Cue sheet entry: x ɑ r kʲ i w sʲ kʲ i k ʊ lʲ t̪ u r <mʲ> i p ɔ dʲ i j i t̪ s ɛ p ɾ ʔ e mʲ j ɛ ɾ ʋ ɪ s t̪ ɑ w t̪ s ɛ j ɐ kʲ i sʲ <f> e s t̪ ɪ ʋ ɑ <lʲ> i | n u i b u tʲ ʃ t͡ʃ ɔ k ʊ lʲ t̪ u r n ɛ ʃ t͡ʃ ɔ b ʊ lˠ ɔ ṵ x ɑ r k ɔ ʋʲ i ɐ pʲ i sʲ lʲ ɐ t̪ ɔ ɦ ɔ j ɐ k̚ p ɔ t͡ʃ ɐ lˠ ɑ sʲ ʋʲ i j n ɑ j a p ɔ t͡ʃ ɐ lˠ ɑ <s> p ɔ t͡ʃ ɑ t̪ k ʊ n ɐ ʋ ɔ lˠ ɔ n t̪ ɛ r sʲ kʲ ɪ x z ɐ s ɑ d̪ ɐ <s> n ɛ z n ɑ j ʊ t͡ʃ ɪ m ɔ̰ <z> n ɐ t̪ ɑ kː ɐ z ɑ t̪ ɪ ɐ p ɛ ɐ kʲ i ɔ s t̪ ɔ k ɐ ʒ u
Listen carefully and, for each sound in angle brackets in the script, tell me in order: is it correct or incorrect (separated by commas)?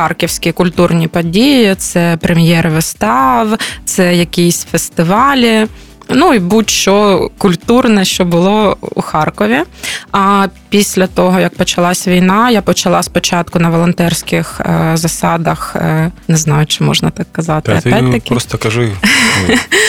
incorrect, correct, correct, correct, incorrect, incorrect